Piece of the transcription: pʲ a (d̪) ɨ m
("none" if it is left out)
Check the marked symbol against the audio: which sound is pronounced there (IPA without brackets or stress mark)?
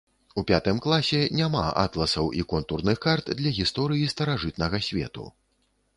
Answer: t̪